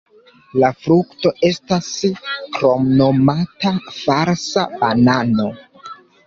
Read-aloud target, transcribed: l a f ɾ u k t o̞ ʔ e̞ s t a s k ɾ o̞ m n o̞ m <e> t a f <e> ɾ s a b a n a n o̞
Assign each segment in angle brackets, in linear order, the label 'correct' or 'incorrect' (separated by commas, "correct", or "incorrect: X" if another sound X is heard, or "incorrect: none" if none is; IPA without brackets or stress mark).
incorrect: a, incorrect: a